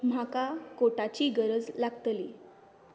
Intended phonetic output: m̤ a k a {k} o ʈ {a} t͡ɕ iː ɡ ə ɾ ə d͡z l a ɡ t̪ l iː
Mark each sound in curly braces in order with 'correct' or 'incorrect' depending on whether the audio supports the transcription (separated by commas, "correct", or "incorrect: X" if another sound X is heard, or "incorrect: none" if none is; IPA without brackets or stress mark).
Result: correct, correct